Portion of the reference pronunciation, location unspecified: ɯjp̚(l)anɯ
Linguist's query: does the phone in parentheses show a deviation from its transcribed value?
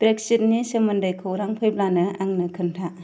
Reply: no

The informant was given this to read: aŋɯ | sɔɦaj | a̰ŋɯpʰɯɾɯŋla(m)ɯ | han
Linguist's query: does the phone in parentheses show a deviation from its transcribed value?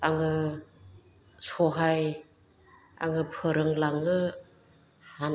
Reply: yes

